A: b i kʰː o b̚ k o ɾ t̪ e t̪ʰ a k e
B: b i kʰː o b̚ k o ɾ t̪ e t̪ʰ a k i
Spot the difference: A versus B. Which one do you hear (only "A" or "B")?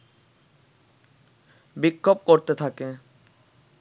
A